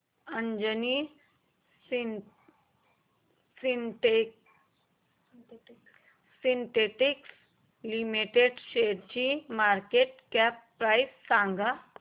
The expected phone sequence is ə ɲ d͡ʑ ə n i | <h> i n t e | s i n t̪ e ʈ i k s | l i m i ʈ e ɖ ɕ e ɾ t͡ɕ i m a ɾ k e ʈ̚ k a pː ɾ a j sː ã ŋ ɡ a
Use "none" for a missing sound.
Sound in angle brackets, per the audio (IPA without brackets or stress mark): s